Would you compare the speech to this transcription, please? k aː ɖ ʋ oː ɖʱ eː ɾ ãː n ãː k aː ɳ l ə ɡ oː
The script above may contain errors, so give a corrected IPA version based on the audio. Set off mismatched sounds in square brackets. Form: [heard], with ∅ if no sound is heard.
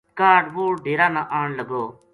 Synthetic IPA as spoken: k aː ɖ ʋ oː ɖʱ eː ɾ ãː n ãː [ʔ] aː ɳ l ə ɡ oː